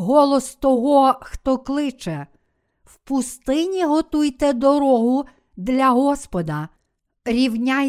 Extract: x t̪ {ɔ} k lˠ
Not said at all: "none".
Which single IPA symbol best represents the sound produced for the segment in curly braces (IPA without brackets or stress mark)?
ɔ